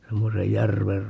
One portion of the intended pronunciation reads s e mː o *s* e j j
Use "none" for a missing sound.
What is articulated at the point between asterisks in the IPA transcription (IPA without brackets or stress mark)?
s